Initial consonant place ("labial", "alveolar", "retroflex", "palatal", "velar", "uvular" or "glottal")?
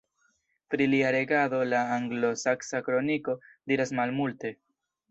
labial